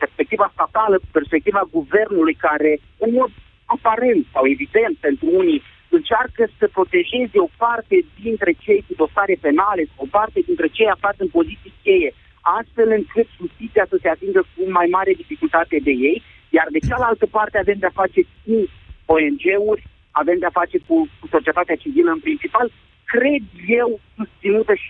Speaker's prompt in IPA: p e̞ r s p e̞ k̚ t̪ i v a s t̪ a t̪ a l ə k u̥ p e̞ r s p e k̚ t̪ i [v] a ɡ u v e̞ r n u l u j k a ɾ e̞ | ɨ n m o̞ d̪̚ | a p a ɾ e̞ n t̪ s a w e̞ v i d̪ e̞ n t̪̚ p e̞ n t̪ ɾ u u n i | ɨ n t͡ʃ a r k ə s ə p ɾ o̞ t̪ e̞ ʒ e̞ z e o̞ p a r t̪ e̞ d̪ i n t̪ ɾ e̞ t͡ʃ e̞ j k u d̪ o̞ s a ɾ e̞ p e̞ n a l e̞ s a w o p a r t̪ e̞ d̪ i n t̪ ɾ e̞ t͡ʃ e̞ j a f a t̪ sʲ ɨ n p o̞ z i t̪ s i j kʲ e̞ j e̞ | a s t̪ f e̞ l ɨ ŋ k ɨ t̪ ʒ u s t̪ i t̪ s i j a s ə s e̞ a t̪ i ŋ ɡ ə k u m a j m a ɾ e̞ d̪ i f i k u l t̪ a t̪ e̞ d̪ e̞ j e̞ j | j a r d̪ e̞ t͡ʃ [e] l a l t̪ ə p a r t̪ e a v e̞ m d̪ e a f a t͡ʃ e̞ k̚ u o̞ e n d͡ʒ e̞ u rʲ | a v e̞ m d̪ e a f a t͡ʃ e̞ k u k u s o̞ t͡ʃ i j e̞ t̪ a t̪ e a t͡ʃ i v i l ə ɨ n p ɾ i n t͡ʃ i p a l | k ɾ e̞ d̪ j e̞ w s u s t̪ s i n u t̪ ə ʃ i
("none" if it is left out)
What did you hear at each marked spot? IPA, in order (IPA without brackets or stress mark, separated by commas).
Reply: v, a